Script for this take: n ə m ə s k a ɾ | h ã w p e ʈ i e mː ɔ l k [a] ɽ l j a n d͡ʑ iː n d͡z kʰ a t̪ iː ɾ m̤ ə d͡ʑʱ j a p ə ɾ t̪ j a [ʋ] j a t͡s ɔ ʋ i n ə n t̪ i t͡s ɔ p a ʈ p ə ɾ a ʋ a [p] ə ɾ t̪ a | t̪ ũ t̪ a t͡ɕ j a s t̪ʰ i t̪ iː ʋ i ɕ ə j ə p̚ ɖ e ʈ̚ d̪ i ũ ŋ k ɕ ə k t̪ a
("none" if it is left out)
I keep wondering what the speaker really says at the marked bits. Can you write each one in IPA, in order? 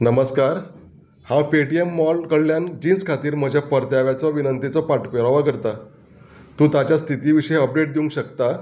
ə, ʋ, k

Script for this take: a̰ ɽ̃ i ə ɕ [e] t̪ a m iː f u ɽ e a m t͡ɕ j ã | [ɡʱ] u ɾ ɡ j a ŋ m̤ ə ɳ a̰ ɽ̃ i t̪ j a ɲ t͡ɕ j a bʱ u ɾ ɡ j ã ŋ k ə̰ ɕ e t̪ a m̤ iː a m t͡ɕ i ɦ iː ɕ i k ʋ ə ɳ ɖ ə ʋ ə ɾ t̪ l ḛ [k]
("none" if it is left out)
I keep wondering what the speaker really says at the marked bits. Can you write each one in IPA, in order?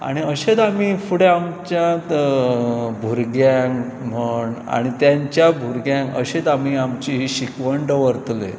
e, bʱ, none

